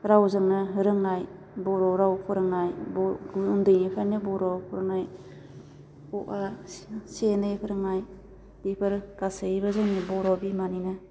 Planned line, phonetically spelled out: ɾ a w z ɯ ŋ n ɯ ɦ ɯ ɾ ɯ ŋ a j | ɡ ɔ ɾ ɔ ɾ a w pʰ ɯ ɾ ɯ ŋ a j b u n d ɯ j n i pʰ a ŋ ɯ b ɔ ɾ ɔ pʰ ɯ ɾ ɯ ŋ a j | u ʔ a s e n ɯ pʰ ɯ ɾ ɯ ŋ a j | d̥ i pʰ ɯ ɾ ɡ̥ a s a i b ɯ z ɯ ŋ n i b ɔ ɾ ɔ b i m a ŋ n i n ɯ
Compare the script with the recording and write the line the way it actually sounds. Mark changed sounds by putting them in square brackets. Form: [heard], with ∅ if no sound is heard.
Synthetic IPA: ɾ a w z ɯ ŋ n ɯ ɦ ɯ ɾ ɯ ŋ a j | [b] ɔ ɾ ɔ ɾ a w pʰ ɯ ɾ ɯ ŋ a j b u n d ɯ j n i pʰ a [n] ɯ b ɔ ɾ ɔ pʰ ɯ ɾ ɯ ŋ a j | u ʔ a s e n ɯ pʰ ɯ ɾ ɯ ŋ a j | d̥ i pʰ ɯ ɾ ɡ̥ a s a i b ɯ z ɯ ŋ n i b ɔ ɾ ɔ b i m a [∅] n i n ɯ